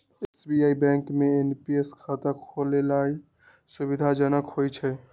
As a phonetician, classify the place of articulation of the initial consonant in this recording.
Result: alveolar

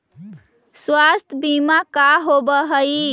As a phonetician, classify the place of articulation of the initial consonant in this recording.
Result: alveolar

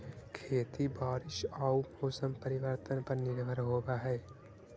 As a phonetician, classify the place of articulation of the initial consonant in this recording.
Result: velar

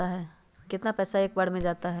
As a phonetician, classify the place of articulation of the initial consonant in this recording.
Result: glottal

